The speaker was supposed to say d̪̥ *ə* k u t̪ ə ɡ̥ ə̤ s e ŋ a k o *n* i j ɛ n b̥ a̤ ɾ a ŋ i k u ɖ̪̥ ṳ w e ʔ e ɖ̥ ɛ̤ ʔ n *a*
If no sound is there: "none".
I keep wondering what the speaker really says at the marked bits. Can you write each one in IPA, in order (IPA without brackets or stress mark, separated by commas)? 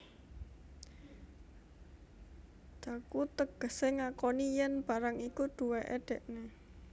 a, n, e